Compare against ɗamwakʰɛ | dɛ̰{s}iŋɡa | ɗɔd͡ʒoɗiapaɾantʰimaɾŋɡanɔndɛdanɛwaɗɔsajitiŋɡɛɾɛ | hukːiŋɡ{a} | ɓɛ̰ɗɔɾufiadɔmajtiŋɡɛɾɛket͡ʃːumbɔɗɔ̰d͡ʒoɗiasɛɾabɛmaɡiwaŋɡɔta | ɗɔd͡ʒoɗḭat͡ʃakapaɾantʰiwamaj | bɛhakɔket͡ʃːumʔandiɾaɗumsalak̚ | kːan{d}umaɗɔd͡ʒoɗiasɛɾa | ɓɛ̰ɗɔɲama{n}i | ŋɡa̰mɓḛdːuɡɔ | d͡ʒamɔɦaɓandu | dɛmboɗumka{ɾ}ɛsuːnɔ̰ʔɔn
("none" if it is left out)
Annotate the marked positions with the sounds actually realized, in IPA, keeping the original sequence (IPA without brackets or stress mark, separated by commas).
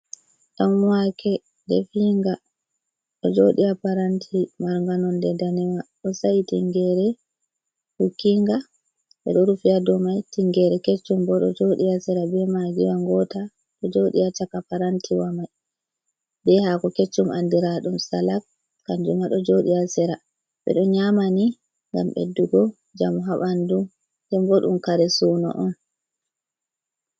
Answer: f, a, d͡ʒ, n, ɾ